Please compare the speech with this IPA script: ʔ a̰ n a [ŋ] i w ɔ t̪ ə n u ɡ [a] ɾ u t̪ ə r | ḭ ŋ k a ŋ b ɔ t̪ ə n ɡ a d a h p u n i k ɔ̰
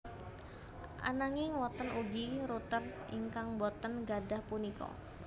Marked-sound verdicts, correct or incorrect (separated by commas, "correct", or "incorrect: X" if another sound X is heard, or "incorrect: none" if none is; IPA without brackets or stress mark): correct, incorrect: i